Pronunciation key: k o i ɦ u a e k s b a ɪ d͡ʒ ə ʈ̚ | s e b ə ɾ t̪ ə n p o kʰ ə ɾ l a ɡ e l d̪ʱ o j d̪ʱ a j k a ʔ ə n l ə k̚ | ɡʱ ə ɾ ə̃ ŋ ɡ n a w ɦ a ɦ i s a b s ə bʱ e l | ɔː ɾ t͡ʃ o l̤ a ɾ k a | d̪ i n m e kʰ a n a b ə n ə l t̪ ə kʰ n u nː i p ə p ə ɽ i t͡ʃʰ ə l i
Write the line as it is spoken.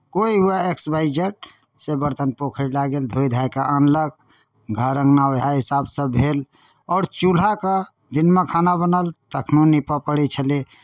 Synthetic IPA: k o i ɦ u a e k s b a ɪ d͡ʒ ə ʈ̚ | s e b ə ɾ t̪ ə n p o kʰ ə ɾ l a ɡ e l d̪ʱ o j d̪ʱ a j k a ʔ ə n l ə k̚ | ɡʱ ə ɾ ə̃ ŋ ɡ n a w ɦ a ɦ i s a b s ə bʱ e l | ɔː ɾ t͡ʃ u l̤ a k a | d̪ i n m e kʰ a n a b ə n ə l t̪ ə kʰ n u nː i p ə p ə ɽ i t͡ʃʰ ə l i